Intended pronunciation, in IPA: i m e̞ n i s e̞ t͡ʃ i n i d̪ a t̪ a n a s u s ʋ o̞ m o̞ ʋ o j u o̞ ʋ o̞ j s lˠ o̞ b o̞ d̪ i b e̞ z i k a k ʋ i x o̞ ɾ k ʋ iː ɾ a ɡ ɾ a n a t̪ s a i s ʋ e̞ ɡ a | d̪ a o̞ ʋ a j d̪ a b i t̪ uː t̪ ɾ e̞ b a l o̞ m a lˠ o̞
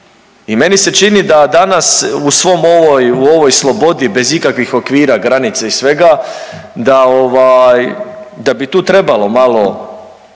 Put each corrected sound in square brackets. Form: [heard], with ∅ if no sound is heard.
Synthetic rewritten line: i m e̞ n i s e̞ t͡ʃ i n i d̪ a [d̪] a n a s u s ʋ o̞ m o̞ ʋ o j u o̞ ʋ o̞ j s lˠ o̞ b o̞ d̪ i b e̞ z i k a k ʋ i x o̞ [∅] k ʋ iː ɾ a ɡ ɾ a n [i] t̪ s a i s ʋ e̞ ɡ a | d̪ a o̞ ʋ a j d̪ a b i t̪ uː t̪ ɾ e̞ b a l o̞ m a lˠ o̞